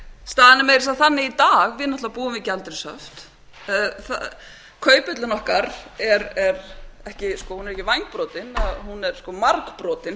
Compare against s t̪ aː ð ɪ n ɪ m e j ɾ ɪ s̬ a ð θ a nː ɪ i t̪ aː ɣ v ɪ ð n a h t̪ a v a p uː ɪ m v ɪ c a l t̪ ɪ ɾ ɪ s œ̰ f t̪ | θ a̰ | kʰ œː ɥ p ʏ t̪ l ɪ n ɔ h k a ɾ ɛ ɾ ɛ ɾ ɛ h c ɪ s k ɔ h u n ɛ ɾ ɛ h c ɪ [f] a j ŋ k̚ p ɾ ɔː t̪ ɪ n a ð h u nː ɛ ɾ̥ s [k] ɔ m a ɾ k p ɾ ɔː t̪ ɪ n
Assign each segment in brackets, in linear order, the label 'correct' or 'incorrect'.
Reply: incorrect, correct

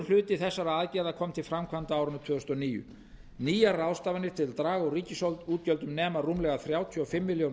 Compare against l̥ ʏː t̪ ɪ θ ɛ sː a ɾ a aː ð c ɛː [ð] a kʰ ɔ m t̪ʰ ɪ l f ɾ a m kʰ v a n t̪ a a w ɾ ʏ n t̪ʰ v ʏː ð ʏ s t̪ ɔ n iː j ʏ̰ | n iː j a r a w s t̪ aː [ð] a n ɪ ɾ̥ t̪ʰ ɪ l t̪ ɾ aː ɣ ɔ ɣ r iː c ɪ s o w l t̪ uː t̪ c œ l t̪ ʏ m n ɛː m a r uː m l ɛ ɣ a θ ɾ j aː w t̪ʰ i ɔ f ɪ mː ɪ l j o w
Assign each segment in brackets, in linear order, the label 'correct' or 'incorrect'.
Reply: correct, incorrect

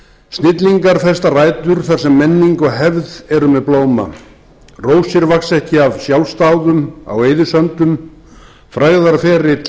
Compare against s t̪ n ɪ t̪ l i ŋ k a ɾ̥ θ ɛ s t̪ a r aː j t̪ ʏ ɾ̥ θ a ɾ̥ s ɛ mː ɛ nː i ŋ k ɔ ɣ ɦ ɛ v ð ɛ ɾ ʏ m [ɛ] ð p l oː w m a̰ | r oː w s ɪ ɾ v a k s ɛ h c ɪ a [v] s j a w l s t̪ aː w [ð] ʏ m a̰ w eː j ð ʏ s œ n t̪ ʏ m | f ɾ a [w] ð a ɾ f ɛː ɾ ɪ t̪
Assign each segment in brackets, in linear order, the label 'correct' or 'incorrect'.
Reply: correct, correct, correct, incorrect

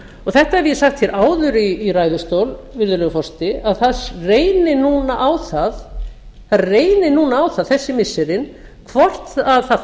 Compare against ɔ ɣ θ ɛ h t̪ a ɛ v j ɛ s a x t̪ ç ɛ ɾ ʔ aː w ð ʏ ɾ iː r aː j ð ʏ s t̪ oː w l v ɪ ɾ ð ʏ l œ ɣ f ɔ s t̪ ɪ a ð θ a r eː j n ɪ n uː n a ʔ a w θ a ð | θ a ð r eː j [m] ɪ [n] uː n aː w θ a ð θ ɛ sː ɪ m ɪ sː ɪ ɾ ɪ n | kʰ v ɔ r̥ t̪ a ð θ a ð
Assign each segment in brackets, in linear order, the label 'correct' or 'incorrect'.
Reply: incorrect, correct

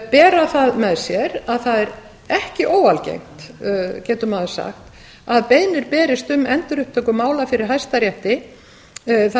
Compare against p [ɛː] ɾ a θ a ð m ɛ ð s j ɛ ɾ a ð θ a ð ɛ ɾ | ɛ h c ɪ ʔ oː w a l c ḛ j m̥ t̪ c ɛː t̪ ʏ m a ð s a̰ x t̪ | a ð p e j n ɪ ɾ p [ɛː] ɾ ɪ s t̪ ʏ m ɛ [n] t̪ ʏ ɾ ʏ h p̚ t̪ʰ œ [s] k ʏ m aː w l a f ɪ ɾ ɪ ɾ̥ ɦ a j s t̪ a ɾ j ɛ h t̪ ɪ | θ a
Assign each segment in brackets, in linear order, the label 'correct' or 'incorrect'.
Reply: correct, correct, correct, incorrect

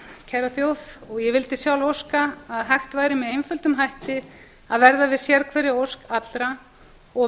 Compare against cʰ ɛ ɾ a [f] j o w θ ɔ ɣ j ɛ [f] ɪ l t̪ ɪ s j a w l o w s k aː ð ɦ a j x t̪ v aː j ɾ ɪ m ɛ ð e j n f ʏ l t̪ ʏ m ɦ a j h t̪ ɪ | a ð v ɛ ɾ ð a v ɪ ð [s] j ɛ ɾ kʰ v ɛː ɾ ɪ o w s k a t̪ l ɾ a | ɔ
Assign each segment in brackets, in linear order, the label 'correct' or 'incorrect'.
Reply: incorrect, incorrect, correct

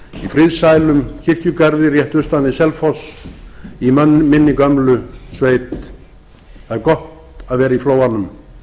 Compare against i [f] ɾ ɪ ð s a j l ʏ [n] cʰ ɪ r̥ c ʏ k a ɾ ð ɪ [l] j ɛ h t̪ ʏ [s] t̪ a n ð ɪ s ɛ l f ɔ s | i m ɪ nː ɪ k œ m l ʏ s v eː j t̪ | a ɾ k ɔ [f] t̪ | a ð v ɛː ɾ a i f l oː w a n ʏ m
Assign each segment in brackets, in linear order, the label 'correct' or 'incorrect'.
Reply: correct, incorrect, incorrect, correct, incorrect

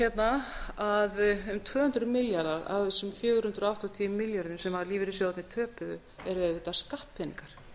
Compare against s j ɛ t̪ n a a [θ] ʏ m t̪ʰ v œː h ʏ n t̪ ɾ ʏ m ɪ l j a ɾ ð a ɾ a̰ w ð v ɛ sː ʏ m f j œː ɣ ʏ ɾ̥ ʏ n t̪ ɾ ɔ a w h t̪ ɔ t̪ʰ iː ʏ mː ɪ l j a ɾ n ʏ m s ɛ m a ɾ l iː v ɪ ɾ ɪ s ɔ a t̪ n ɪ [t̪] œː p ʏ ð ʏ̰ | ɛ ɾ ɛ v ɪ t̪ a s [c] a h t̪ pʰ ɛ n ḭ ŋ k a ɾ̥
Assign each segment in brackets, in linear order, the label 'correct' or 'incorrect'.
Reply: incorrect, incorrect, incorrect

